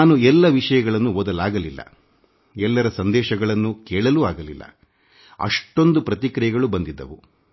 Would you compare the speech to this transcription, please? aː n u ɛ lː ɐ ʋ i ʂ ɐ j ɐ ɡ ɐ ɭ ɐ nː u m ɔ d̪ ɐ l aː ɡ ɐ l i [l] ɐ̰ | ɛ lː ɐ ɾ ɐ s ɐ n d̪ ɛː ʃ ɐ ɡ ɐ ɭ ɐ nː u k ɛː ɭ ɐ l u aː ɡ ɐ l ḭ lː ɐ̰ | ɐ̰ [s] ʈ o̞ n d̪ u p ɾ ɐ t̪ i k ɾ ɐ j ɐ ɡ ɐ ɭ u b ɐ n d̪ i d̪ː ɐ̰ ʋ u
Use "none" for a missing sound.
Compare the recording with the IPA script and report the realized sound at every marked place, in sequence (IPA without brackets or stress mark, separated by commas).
lː, ʂ